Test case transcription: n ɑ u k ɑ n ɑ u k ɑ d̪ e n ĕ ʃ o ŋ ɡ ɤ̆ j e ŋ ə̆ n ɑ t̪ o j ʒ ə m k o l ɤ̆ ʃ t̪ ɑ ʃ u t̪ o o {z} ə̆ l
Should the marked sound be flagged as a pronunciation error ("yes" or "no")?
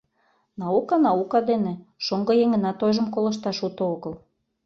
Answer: yes